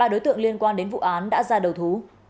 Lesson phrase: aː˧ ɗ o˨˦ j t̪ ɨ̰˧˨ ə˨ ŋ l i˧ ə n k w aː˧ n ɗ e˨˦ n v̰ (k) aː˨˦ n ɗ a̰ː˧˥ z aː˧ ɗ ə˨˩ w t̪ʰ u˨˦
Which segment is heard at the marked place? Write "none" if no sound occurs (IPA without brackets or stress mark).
ʔ